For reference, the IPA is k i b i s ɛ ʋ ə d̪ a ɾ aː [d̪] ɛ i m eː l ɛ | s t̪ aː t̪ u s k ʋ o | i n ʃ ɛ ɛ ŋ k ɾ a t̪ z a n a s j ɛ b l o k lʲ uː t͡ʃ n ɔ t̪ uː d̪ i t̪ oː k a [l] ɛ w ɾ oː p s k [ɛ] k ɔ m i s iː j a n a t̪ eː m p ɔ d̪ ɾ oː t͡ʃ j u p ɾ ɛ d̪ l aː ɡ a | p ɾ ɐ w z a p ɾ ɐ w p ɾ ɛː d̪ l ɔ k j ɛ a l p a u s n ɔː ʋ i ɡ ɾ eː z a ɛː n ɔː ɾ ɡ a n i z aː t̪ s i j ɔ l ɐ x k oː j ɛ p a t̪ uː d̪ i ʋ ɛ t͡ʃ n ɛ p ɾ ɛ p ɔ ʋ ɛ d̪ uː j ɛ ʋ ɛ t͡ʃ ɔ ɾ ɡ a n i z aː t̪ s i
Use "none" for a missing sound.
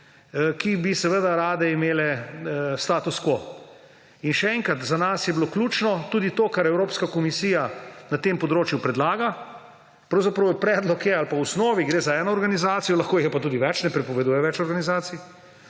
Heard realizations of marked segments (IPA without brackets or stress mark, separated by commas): d̪, ɾ, a